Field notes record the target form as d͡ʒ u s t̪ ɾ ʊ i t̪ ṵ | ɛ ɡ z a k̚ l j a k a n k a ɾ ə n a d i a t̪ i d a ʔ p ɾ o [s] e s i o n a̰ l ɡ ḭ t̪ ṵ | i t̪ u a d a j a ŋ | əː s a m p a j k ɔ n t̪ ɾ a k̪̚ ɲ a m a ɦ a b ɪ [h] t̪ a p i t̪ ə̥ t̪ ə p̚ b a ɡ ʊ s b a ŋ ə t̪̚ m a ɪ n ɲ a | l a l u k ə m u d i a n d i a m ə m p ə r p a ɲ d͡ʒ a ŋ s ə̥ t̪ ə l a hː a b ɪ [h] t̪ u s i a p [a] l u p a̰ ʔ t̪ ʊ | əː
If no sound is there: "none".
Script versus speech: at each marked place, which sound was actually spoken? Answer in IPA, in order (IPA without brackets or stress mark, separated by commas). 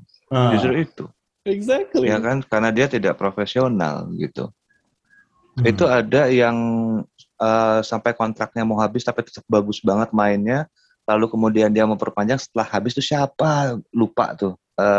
f, s, s, a